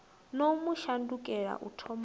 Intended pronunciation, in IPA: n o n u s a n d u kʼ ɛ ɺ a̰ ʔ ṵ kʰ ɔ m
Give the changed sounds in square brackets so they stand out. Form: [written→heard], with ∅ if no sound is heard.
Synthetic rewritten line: n o [n→m] u [s→ʃ] a n d u kʼ ɛ ɺ a̰ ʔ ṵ [kʰ→tʰ] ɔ m